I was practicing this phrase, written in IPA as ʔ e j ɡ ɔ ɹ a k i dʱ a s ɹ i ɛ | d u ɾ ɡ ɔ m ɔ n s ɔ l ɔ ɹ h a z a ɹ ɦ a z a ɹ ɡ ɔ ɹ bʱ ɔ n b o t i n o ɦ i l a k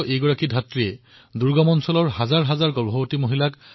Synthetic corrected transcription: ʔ e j ɡ ɔ ɹ a k i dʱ a t ɹ i ɛ | d u ɹ ɡ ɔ m ɔ n s ɔ l ɔ ɹ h a z a ɹ ɦ a z a ɹ ɡ ɔ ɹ bʱ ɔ b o t i m o ɦ i l a k